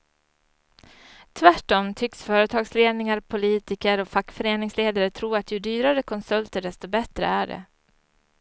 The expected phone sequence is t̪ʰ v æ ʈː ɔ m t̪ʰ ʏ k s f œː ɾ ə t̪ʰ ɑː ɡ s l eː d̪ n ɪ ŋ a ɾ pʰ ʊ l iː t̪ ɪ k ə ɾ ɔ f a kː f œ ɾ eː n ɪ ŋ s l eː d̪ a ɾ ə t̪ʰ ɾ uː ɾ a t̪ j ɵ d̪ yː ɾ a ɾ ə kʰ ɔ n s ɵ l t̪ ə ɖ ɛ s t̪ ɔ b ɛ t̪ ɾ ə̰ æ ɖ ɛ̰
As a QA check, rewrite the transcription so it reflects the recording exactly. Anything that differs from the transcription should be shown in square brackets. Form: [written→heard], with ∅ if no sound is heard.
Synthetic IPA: t̪ʰ v æ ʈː ɔ m t̪ʰ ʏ k s f œː ɾ ə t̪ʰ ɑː ɡ s l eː d̪ n ɪ ŋ a ɾ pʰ ʊ l iː t̪ ɪ k ə ɾ ɔ f a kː f œ ɾ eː n ɪ ŋ s l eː d̪ a ɾ ə t̪ʰ ɾ uː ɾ a t̪ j ɵ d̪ yː ɾ a ɾ ə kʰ ɔ n s ɵ l t̪ ə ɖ ɛ s t̪ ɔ b ɛ t̪ ɾ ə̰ æ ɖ ɛ̰